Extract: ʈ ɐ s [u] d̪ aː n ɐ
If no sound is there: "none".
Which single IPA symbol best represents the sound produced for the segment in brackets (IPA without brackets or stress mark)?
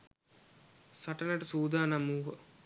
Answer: uː